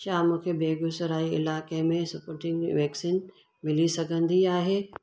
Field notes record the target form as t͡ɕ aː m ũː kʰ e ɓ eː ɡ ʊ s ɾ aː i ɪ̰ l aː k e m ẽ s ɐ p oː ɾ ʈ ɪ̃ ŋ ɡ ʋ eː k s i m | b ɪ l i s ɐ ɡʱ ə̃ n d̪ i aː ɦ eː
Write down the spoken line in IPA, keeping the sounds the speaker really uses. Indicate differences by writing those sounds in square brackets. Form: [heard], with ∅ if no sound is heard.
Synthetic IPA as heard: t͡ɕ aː m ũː kʰ e [b] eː ɡ ʊ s ɾ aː i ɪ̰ l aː k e m ẽ s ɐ p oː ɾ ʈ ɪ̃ ŋ ɡ ʋ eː k s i [n] | [m] ɪ l i s ɐ ɡʱ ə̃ n d̪ i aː ɦ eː